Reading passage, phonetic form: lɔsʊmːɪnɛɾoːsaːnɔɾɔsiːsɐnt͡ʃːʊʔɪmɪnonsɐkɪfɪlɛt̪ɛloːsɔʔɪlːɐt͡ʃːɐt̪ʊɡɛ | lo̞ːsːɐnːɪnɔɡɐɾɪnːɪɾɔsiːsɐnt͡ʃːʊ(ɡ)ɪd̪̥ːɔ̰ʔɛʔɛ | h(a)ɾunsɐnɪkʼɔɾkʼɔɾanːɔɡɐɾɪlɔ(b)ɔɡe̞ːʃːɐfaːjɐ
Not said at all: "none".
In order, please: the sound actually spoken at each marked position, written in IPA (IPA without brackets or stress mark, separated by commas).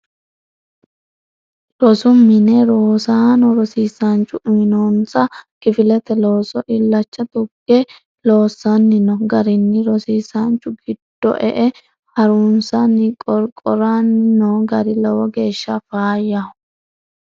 ɡ, ɐ, w